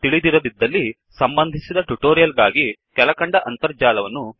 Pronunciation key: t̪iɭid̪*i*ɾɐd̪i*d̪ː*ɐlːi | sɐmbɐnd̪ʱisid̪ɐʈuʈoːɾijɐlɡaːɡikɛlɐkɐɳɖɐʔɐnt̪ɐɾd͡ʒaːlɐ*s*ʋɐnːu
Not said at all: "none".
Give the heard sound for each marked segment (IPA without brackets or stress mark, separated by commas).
i, d̪ː, none